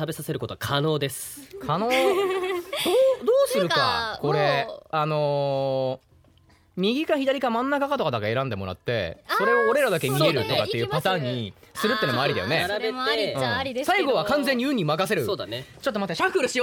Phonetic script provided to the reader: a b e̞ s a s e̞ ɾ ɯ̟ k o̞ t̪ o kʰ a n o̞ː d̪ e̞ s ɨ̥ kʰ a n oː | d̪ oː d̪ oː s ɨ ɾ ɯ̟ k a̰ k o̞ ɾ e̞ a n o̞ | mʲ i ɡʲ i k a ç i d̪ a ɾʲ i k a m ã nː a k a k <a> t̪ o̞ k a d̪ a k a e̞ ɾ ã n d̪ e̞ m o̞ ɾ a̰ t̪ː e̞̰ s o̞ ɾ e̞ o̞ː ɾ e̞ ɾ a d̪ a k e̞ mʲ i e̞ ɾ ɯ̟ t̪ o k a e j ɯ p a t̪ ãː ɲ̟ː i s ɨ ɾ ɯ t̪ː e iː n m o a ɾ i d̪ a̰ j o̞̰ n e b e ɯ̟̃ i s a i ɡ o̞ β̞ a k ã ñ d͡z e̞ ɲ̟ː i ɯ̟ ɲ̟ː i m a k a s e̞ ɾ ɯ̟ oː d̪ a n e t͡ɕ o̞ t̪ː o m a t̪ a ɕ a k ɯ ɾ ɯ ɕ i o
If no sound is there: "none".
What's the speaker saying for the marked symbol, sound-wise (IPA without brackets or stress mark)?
a